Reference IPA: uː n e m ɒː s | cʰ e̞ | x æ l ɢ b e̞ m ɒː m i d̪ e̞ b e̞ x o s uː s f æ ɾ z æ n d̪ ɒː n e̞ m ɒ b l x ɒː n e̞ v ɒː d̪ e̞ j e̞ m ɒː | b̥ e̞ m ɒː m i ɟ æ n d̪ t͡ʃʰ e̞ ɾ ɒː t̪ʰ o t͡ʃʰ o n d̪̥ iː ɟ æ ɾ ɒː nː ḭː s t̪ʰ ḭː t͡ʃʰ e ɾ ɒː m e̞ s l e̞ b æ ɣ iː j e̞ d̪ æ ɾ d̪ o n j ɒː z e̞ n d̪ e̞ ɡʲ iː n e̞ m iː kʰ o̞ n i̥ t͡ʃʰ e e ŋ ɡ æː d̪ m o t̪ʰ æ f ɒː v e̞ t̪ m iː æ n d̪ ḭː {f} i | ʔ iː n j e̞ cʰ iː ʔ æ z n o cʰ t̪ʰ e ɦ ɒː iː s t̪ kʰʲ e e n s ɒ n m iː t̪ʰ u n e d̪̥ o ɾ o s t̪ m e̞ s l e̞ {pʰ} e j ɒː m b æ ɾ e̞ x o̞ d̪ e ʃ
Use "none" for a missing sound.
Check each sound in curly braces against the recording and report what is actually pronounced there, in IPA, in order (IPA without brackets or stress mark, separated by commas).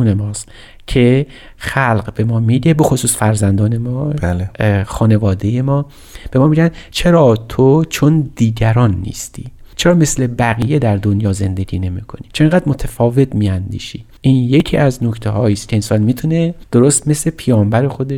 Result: ʃ, pʰ